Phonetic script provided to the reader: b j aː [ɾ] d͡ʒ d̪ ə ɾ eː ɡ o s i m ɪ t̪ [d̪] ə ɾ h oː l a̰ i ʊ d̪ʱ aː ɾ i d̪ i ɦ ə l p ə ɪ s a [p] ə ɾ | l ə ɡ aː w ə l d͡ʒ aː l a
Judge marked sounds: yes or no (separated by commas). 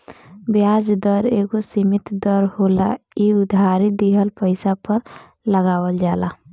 no, yes, yes